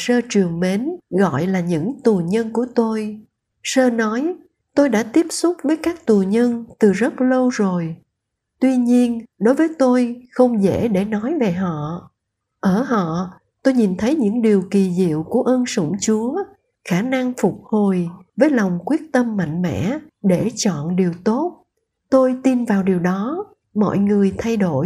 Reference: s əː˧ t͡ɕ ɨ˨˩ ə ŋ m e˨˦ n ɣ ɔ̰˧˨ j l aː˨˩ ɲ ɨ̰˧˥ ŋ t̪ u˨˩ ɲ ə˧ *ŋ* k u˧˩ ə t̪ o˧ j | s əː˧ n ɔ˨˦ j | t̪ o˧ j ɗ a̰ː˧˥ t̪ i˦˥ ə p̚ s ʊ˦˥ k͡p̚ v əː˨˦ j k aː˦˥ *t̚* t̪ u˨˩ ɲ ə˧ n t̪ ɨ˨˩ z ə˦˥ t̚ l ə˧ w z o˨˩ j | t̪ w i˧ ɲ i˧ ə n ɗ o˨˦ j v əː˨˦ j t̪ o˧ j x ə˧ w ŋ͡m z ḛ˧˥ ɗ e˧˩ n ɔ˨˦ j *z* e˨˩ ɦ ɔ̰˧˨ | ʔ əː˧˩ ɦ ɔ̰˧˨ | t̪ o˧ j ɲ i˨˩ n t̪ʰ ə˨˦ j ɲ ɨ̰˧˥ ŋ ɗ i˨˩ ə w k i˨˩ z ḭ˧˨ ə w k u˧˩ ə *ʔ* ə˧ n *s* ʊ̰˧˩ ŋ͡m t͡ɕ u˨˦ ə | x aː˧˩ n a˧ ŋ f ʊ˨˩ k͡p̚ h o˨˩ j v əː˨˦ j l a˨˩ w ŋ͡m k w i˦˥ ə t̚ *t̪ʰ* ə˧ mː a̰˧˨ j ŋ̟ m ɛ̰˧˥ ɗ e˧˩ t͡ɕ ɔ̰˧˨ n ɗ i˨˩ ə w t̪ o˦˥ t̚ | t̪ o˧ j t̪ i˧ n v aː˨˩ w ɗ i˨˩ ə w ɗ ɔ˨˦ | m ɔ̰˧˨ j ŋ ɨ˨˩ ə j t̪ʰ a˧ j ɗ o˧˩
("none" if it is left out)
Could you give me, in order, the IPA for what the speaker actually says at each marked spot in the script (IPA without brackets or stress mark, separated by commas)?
n, k̚, v, ʔ, s, t̪